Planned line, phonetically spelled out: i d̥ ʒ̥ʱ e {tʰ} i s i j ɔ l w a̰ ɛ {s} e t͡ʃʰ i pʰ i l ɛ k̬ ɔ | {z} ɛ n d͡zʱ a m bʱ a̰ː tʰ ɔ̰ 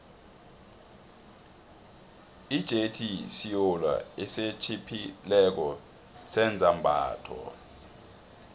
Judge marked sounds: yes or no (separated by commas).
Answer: yes, yes, no